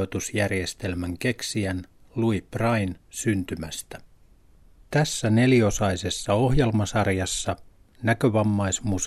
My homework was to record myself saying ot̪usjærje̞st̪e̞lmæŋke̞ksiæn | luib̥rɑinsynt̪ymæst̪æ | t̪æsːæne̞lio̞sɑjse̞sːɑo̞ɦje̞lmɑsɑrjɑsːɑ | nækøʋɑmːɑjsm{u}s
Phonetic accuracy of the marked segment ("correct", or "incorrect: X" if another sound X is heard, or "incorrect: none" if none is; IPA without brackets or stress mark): correct